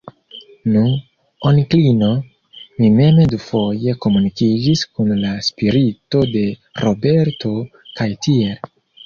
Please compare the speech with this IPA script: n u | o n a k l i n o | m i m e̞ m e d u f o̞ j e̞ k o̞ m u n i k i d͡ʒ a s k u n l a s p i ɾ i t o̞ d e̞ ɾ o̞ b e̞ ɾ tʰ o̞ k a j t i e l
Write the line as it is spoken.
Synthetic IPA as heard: n u | o n i k l i n o | m i m e̞ m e d u f o̞ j e̞ k o̞ m u n i k i d͡ʒ i s k u n l a s p i ɾ i t o̞ d e̞ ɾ o̞ b e̞ ɾ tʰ o̞ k a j t i e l